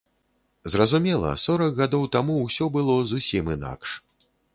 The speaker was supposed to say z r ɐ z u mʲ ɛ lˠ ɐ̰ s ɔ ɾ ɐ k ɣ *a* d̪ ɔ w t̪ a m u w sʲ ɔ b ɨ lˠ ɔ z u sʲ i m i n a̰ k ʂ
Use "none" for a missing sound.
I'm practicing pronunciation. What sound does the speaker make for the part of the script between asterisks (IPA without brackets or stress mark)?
a